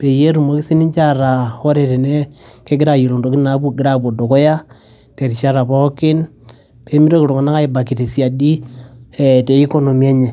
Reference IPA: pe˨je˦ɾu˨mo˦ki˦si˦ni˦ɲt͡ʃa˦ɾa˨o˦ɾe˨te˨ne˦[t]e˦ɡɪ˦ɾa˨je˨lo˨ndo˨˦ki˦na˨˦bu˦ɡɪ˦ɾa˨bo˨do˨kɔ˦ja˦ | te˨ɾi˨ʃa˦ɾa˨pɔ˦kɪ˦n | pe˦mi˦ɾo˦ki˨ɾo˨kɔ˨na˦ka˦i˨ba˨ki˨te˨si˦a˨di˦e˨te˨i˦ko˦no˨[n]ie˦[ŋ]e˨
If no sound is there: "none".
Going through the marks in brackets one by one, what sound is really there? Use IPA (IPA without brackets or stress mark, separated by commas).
k, m, ɲ